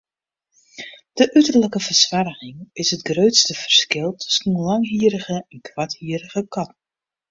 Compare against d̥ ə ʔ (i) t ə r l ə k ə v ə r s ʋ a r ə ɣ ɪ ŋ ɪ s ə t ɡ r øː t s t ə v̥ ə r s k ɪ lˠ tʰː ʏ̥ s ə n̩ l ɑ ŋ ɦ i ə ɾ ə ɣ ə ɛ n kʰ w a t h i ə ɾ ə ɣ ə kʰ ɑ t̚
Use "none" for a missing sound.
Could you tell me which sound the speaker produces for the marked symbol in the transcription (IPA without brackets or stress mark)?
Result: y